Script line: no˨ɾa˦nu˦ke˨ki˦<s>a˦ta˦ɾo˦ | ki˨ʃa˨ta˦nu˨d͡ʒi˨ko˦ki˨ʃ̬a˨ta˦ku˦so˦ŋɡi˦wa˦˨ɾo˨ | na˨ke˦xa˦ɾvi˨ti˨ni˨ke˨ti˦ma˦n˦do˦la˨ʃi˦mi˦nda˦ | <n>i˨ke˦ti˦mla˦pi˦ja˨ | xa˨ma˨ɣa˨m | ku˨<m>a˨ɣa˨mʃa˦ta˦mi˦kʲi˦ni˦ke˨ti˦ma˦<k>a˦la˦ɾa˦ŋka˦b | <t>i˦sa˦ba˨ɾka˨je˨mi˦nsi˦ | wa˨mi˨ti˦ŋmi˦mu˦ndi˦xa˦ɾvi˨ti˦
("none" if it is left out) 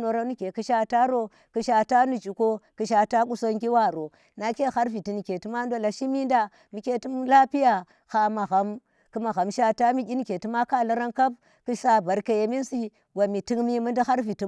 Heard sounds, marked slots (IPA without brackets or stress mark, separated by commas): ʃ, m, m, k, k